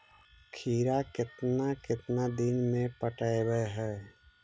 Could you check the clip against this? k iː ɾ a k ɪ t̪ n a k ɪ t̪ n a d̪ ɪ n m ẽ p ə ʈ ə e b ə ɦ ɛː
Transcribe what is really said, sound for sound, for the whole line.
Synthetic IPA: kʰ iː ɾ a k ɪ t̪ n a k ɪ t̪ n a d̪ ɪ n m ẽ p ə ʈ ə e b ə ɦ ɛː